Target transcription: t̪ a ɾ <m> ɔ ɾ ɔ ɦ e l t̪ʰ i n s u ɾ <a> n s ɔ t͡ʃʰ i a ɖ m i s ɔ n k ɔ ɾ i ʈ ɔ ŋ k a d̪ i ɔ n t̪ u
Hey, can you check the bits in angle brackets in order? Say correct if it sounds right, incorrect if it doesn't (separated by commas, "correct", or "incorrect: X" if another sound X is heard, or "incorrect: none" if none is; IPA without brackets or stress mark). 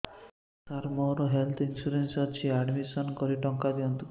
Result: correct, incorrect: e